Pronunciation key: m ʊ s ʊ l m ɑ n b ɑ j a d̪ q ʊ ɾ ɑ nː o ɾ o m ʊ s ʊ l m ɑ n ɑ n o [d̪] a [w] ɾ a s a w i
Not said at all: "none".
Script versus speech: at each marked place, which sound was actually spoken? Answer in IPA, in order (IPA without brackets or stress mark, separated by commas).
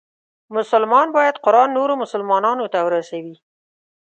t̪, w